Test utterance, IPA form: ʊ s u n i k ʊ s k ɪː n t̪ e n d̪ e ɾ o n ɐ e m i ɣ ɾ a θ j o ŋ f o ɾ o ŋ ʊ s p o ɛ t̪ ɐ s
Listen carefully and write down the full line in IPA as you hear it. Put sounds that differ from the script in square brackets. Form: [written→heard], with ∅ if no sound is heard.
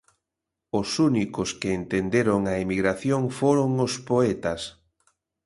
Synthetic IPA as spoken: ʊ s u n i k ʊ s k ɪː n t̪ e n d̪ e ɾ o [n→ŋ] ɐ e m i ɣ ɾ a θ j o ŋ f o ɾ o ŋ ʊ s p o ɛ t̪ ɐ s